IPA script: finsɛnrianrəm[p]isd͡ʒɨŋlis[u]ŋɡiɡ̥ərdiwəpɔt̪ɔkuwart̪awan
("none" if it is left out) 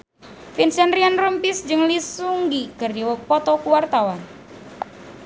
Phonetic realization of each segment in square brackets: p, u

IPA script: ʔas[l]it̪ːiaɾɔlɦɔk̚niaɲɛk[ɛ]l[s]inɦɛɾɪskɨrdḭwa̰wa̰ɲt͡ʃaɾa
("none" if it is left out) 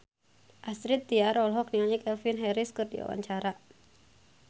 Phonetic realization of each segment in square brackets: ɾ, ɛ, f

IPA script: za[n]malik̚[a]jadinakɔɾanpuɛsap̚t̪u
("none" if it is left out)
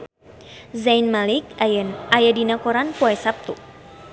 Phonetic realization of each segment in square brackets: n, a

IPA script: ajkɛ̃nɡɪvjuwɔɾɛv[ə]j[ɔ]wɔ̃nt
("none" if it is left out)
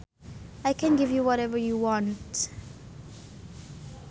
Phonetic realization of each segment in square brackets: ə, u

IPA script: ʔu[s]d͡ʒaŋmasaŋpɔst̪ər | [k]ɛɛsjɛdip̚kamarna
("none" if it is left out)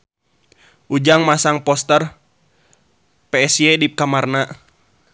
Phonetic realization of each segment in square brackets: none, p

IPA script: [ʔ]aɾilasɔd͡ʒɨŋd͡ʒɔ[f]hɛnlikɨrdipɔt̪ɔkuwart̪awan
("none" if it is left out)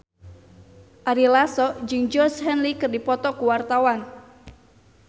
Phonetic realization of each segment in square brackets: ʔ, s

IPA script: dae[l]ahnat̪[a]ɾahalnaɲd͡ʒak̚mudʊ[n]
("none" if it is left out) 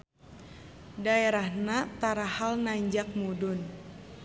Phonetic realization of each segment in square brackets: ɾ, a, n

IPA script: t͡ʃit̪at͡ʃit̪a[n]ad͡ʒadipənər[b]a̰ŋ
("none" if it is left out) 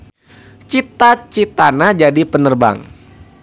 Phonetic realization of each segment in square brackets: n, b

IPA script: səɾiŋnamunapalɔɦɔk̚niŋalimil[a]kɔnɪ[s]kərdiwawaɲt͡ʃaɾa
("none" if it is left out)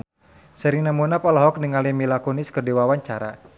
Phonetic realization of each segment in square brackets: a, s

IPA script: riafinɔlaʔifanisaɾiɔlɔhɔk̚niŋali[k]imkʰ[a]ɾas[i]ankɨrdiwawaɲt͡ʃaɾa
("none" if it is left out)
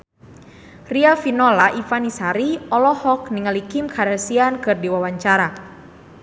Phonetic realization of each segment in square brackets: k, a, i

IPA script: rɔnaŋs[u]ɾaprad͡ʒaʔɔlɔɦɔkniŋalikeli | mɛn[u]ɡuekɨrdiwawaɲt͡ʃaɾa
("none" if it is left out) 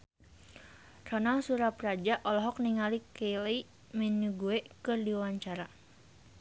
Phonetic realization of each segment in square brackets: u, u

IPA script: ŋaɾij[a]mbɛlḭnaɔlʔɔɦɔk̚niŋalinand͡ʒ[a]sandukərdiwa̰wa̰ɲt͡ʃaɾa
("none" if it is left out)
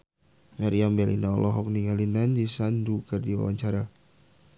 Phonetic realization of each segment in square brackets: a, i

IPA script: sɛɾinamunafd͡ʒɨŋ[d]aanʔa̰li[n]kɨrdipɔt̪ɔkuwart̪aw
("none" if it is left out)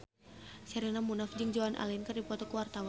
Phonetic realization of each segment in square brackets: d͡ʒ, n

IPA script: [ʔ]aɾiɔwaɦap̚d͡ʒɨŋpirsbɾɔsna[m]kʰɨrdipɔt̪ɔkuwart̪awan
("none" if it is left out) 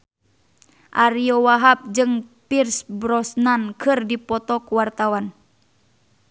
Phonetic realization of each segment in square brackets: ʔ, n

